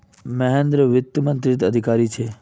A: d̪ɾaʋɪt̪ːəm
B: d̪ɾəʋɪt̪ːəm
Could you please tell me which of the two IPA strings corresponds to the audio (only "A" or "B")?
B